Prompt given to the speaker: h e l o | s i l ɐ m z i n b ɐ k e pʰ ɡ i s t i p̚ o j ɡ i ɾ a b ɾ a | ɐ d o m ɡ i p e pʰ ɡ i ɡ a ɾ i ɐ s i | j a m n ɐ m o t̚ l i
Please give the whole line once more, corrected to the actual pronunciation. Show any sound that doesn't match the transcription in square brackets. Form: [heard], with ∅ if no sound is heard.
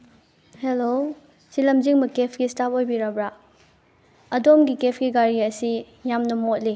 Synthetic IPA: h e l o | s i l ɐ m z i [ŋ] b ɐ k e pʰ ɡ i s t [a] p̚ o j [b] i ɾ a b ɾ a | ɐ d o m ɡ i [k] e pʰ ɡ i ɡ a ɾ i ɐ s i | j a m n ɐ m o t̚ l i